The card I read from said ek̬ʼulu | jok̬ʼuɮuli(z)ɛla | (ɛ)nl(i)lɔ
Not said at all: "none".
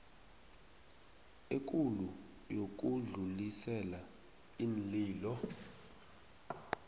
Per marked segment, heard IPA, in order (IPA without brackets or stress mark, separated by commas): s, i, iː